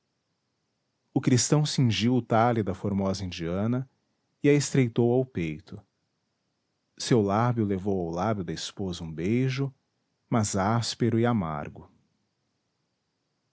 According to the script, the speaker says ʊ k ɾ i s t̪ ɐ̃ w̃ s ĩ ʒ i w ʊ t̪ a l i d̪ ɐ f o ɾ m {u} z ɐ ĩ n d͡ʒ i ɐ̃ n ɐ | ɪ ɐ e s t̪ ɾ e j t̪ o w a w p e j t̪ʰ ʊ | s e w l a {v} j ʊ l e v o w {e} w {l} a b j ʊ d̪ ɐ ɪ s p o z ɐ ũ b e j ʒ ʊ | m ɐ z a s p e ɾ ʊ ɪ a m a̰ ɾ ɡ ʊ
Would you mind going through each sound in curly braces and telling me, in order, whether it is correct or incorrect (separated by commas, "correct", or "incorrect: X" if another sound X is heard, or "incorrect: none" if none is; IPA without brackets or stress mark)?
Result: incorrect: ɔ, incorrect: b, incorrect: a, correct